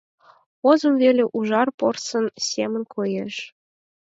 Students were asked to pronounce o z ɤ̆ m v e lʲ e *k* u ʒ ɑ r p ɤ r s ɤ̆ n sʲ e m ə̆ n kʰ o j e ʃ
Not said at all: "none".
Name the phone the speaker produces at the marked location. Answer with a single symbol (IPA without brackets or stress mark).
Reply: ʔ